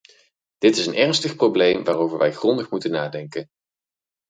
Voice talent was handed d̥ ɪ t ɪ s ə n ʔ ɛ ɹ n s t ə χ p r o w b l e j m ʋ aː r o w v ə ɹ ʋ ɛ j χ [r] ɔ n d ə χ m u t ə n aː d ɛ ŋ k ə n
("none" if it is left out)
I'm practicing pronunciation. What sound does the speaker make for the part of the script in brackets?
r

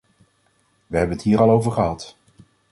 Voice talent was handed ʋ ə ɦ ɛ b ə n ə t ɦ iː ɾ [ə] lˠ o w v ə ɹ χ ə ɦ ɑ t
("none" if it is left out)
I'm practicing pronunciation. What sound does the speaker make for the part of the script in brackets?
ɑ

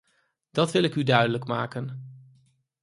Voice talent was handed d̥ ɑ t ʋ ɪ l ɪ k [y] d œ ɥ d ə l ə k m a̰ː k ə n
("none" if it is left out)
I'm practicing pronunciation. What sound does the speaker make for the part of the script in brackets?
y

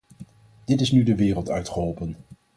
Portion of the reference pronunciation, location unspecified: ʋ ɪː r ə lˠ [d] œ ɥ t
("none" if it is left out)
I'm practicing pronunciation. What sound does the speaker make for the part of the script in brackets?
t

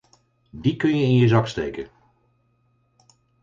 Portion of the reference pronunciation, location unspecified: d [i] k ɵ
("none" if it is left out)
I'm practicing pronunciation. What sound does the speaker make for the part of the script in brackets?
i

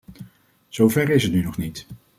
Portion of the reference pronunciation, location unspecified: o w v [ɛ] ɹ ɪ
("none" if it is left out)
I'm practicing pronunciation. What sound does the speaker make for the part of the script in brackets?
ɛ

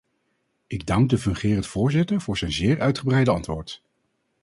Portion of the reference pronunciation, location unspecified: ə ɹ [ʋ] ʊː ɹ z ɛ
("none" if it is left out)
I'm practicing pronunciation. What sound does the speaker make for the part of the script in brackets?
v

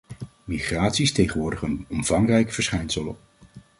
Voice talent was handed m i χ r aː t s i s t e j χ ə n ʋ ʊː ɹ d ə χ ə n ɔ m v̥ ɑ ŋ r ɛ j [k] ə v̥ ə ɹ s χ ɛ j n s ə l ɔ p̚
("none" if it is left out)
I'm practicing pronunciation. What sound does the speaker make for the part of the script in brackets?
k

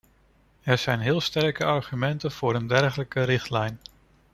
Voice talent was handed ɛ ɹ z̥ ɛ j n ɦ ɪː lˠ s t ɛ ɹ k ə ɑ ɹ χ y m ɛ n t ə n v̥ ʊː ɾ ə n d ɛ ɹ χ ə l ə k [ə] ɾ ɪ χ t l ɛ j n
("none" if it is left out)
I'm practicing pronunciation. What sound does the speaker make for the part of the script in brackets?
ə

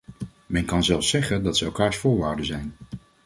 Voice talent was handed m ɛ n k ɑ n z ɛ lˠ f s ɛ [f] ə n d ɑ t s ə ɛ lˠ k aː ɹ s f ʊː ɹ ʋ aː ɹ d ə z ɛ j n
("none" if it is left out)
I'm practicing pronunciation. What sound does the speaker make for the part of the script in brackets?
χ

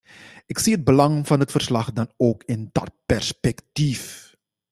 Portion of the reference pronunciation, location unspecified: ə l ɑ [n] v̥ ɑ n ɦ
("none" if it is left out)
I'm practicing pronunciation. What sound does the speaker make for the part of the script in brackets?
ŋ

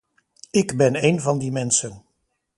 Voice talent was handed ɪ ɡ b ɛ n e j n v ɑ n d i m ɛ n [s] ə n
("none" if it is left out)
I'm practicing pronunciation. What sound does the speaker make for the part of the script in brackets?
s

